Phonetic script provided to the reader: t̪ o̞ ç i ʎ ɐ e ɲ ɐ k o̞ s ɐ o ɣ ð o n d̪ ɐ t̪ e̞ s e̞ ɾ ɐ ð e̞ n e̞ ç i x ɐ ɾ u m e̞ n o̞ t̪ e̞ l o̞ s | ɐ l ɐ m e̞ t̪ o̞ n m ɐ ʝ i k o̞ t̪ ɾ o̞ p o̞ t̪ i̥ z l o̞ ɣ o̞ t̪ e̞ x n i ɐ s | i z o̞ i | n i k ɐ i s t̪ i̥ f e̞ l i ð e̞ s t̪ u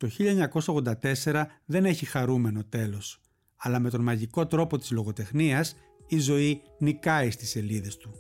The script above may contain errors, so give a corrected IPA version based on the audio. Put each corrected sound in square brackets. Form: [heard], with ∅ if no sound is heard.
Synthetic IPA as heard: t̪ o̞ ç i ʎ ɐ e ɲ ɐ k o̞ s ɐ o ɣ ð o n d̪ ɐ t̪ e̞ s e̞ ɾ ɐ ð e̞ n e̞ ç i x ɐ ɾ u m e̞ n o̞ t̪ e̞ l o̞ s | ɐ l ɐ m e̞ t̪ o̞ n m ɐ ʝ i k o̞ t̪ ɾ o̞ p o̞ t̪ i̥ z l o̞ ɣ o̞ t̪ e̞ x n i ɐ s | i z o̞ i | n i k ɐ i s t̪ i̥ [s] e̞ l i ð e̞ s t̪ u